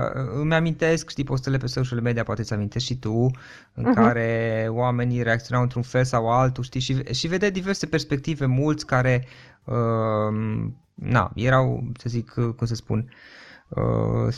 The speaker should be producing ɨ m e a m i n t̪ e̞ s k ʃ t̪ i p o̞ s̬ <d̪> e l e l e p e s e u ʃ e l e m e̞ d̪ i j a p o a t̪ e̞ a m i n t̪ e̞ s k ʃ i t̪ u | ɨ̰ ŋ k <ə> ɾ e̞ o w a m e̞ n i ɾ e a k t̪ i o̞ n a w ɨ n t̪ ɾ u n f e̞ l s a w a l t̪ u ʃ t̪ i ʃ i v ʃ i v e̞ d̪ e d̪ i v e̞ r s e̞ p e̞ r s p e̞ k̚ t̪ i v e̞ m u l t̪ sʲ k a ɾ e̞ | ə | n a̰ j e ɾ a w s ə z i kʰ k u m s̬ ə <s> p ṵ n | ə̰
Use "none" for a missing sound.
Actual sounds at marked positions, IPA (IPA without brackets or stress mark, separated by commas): t̪, a, s